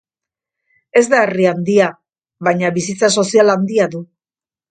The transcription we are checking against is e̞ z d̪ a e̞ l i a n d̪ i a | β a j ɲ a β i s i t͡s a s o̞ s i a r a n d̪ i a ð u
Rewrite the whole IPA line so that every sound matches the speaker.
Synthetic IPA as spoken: e̞ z d̪ a e̞ r i a n d̪ i a | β a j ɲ a β i s i t͡s a s o̞ s i a l a n d̪ i a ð u